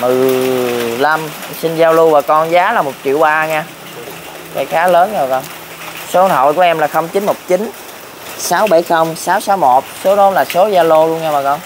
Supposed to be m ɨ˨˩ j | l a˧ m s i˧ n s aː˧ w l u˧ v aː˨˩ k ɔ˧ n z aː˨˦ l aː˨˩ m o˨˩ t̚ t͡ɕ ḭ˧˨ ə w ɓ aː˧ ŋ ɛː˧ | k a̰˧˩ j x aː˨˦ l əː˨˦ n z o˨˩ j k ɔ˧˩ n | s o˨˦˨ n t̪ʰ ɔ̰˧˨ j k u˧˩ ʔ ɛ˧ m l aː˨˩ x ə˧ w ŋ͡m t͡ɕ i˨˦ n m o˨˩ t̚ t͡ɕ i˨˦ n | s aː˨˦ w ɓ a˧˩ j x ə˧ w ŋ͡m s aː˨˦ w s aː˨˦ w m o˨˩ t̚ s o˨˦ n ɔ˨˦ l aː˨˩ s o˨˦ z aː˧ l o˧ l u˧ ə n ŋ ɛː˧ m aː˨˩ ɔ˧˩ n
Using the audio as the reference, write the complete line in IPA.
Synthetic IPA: m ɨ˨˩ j | l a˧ m s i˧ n z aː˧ w l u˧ v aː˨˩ k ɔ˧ n z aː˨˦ l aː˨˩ m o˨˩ t̚ t͡ɕ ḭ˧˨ ə w ɓ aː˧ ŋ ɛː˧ | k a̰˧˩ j x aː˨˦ l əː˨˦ n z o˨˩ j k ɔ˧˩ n | s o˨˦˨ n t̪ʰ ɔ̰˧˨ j k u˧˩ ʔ ɛ˧ m l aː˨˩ x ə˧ w ŋ͡m t͡ɕ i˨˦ n m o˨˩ t̚ t͡ɕ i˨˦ n | s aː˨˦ w ɓ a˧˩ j x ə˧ w ŋ͡m s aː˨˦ w s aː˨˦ w m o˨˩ t̚ s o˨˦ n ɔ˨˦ l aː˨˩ s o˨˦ z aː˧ l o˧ l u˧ ə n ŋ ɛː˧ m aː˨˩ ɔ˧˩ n